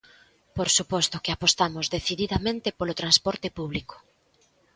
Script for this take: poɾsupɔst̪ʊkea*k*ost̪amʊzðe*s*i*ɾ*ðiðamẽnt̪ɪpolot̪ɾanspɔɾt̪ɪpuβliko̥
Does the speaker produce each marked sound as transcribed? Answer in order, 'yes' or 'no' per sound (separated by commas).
no, no, no